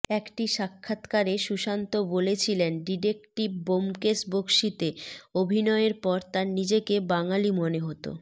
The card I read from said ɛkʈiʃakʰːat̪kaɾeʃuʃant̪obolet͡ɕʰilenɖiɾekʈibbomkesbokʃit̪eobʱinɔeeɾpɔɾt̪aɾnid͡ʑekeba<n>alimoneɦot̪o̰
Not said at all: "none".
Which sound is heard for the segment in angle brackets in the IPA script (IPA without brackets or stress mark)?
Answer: ŋ